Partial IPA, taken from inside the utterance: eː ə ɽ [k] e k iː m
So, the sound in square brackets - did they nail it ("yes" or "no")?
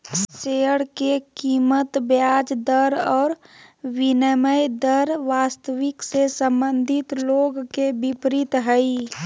yes